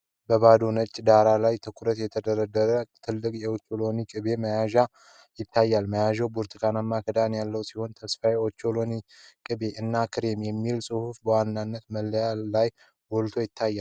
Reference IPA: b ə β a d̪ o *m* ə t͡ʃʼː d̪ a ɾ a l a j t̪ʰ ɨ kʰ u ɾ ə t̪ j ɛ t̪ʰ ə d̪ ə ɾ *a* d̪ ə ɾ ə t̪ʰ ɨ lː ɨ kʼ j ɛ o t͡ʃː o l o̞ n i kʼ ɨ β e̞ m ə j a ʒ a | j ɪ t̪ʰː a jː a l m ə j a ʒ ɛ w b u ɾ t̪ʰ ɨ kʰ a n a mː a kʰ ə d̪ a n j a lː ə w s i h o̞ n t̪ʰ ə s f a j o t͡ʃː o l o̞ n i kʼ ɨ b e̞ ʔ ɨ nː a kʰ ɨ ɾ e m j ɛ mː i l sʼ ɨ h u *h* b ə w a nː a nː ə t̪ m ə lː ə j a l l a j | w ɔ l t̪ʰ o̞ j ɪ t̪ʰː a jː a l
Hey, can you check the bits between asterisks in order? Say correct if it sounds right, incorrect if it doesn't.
incorrect, incorrect, incorrect

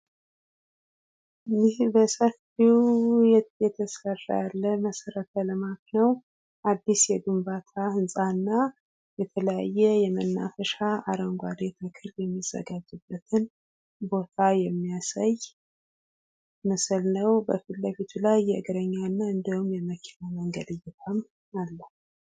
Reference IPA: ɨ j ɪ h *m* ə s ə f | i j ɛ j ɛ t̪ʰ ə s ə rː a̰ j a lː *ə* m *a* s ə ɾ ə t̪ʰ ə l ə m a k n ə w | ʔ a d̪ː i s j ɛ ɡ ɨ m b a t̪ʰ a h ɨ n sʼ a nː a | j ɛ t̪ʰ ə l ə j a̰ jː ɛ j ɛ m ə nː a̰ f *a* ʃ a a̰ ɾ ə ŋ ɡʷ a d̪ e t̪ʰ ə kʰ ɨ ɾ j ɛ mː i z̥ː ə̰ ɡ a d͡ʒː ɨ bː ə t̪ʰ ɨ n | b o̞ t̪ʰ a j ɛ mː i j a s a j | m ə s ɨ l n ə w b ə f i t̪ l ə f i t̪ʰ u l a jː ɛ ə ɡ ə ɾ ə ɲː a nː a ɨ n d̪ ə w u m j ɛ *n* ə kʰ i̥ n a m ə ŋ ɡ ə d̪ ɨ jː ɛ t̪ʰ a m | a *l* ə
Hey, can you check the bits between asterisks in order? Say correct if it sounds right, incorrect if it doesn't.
incorrect, correct, incorrect, incorrect, incorrect, incorrect

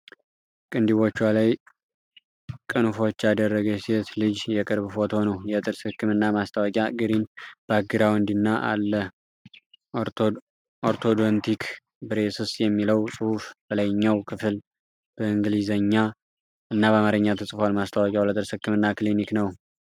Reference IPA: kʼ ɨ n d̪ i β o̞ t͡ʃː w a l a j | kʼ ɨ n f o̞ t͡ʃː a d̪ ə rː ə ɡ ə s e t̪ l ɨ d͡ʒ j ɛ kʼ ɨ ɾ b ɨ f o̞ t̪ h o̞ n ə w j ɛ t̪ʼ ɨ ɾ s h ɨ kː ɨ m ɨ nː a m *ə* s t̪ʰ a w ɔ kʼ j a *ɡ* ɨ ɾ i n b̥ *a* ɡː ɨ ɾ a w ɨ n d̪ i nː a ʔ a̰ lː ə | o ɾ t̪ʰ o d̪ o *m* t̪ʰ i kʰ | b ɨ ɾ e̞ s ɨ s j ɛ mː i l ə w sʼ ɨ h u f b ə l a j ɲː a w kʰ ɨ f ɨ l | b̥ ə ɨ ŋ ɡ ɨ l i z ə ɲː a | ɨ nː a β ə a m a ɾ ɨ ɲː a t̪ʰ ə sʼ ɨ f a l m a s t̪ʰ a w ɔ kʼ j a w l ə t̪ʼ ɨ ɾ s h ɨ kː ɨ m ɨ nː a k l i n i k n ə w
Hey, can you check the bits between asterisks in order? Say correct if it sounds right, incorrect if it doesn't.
incorrect, correct, correct, incorrect

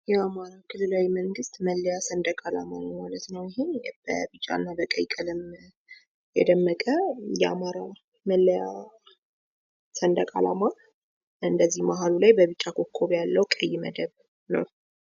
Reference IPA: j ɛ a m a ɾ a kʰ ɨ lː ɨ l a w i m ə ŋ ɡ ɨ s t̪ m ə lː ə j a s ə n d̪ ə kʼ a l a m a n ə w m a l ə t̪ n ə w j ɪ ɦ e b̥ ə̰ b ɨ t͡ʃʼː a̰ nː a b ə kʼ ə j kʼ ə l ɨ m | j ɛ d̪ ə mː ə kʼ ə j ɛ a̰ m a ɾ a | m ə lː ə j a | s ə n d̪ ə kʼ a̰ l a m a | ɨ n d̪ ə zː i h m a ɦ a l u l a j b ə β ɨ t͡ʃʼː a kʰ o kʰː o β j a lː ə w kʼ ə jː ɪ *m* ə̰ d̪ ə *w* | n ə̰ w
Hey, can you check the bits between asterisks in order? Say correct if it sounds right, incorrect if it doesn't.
correct, incorrect

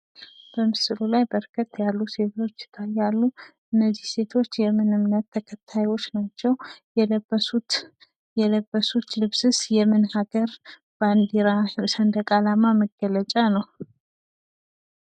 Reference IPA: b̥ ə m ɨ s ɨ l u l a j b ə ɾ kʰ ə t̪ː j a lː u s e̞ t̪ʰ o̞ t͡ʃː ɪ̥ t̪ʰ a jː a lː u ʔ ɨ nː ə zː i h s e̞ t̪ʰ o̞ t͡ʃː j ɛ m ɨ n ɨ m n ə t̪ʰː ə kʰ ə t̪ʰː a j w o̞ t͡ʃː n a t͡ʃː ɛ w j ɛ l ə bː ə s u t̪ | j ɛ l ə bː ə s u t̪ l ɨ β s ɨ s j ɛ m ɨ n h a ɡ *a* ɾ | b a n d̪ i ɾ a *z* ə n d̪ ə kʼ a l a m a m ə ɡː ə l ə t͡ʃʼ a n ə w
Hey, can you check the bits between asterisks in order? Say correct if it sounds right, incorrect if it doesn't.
incorrect, incorrect

